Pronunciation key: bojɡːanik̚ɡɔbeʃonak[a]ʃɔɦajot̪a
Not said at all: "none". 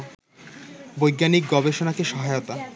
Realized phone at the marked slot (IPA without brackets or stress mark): e